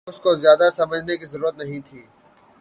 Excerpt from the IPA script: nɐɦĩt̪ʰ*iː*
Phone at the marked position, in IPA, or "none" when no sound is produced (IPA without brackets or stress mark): iː